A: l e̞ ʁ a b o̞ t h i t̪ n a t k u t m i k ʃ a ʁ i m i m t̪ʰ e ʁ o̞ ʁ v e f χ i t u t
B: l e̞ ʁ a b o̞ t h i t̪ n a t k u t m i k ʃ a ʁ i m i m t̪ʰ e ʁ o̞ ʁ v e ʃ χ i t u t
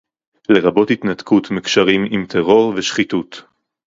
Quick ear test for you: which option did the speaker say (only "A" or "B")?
B